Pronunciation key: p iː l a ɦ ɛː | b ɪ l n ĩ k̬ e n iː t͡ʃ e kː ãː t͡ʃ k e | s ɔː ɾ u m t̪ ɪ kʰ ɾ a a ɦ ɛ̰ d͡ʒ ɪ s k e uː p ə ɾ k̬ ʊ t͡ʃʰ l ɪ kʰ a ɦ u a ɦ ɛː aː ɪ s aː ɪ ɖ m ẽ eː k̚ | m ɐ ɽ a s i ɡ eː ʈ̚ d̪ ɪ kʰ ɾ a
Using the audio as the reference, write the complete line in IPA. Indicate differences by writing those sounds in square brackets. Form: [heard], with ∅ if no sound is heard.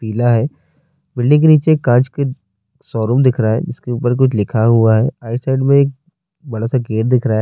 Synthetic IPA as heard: p iː l a ɦ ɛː | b ɪ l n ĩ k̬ e n iː t͡ʃ e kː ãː t͡ʃ k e | s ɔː ɾ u m [d̪] ɪ kʰ ɾ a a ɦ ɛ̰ d͡ʒ ɪ s k e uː p ə ɾ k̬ ʊ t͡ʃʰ l ɪ kʰ a ɦ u a ɦ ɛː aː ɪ s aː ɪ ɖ m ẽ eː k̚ | [b] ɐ ɽ a s [a] ɡ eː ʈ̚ d̪ ɪ kʰ ɾ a